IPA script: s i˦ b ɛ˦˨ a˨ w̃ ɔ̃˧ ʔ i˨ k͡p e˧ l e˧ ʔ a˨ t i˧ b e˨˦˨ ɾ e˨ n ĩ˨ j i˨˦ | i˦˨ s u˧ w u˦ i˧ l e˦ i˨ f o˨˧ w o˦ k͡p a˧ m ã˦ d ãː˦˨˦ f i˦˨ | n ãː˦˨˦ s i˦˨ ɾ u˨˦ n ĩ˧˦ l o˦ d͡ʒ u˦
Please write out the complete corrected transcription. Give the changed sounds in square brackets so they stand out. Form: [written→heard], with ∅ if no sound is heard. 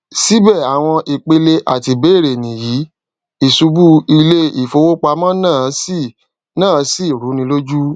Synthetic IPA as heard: s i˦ b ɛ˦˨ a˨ w̃ ɔ̃˧ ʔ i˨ k͡p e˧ l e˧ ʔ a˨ t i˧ b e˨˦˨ ɾ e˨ n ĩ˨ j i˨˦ | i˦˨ s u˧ [w→b] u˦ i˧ l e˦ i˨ f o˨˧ w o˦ k͡p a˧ m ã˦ [d→n] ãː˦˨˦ [f→s] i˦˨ | n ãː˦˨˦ s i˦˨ ɾ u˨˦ n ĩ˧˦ l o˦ d͡ʒ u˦

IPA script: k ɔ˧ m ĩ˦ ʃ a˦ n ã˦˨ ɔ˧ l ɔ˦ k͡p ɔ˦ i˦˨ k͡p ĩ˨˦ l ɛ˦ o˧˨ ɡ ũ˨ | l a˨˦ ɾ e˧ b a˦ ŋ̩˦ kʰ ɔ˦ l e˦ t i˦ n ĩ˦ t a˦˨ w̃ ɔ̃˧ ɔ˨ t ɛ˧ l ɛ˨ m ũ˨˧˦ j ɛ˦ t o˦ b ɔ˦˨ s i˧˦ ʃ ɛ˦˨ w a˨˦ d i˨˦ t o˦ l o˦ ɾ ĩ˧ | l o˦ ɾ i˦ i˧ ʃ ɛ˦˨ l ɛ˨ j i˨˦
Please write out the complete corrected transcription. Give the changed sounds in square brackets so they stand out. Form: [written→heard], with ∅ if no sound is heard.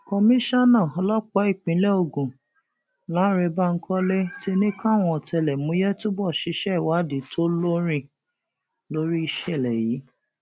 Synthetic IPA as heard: k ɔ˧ m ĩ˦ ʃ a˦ n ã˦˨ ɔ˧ l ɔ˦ k͡p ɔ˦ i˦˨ k͡p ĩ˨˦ l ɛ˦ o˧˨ ɡ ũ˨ | l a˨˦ ɾ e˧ b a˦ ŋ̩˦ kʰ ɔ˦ l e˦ t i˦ n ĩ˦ [t→k] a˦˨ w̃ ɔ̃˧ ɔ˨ t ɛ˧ l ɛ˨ m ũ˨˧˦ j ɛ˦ t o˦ b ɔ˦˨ [s→ʃ] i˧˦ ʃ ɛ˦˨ w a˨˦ d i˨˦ t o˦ l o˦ ɾ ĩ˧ | l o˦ ɾ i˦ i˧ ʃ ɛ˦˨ l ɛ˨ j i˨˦

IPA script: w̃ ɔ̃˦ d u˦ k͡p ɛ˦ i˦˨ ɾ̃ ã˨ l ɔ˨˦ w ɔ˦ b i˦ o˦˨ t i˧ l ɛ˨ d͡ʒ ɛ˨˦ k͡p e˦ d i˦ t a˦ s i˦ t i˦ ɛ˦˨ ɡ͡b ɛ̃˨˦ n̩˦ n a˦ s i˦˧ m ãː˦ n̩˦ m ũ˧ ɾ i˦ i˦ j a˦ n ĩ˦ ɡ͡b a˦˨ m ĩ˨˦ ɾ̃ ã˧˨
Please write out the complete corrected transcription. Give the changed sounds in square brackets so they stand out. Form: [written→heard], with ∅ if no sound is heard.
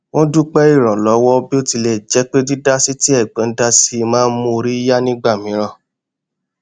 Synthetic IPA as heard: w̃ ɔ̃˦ d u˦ k͡p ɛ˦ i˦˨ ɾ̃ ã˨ l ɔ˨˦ w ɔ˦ b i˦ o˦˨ t i˧ l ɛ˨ d͡ʒ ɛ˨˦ k͡p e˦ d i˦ [t→d] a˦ s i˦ t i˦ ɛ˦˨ ɡ͡b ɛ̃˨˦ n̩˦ [n→d] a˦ s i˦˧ m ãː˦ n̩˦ m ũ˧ ɾ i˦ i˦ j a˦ n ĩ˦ ɡ͡b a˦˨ m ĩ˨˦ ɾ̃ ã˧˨

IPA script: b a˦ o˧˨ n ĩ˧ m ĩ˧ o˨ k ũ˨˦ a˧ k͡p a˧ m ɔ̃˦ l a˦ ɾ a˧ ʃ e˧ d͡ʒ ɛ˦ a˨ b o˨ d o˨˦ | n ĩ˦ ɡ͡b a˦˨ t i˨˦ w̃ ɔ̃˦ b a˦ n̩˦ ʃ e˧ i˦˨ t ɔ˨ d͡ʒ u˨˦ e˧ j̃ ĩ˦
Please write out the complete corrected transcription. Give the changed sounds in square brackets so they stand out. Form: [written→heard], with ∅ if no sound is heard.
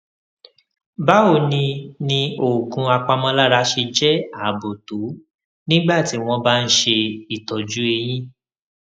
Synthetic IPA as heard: b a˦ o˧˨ n ĩ˧ [m→n] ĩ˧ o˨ k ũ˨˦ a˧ k͡p a˧ m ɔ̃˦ l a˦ ɾ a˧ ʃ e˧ d͡ʒ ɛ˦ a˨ b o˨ [d→t] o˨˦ | n ĩ˦ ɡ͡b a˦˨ t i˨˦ w̃ ɔ̃˦ b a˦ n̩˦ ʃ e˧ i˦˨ t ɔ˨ d͡ʒ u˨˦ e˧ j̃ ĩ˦

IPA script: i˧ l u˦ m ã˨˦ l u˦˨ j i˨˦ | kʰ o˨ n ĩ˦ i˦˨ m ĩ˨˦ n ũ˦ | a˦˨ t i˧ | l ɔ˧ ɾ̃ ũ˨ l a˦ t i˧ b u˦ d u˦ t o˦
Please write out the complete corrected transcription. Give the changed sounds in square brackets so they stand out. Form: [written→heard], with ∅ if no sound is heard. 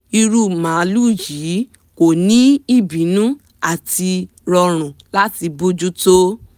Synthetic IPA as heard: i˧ [l→ɾ] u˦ m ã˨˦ l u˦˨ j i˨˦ | [kʰ→k] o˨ n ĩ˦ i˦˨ [m→b] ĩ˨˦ n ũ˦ | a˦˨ t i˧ | [l→ɾ] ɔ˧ ɾ̃ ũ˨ l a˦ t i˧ b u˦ [d→d͡ʒ] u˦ t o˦

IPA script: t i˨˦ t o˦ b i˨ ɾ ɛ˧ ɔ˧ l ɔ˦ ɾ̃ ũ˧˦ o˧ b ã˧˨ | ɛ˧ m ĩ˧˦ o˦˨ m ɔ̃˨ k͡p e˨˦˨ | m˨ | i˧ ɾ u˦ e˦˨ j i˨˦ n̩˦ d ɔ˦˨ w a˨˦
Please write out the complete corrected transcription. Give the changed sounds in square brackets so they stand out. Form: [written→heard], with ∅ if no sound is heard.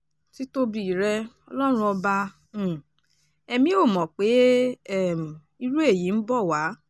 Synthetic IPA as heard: t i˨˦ t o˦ b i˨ ɾ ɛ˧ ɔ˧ l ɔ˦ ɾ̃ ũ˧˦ [o˧→ɔ˧] b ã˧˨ | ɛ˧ m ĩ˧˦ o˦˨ m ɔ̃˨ k͡p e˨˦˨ | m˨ | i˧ ɾ u˦ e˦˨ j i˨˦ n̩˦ [d→b] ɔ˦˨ w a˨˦

